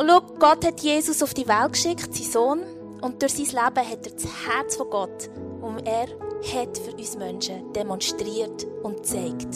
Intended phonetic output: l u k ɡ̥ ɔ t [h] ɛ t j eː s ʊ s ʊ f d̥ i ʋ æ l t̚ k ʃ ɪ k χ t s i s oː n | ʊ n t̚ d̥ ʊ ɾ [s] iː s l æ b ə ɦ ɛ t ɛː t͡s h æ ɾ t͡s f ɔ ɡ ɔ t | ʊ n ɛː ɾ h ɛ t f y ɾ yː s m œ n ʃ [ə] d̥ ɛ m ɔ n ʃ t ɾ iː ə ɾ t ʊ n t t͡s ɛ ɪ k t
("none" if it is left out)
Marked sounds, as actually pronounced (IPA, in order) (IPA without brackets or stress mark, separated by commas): h, s, ə